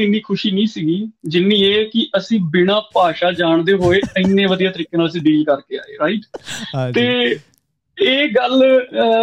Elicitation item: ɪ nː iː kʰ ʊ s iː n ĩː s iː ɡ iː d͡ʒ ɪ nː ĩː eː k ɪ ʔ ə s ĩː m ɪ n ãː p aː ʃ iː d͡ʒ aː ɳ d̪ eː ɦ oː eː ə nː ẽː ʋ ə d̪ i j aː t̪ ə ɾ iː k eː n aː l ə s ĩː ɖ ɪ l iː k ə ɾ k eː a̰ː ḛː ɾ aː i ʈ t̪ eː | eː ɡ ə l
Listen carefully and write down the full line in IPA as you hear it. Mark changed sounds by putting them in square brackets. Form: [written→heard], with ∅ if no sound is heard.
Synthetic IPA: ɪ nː iː kʰ ʊ [s→ʃ] iː n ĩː s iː ɡ iː d͡ʒ ɪ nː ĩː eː k ɪ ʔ ə s ĩː [m→b] ɪ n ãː p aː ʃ [iː→aː] d͡ʒ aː ɳ d̪ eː ɦ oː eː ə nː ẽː ʋ ə d̪ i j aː t̪ ə ɾ iː k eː n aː l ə s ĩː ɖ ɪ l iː k ə ɾ k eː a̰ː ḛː ɾ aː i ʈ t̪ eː | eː ɡ ə l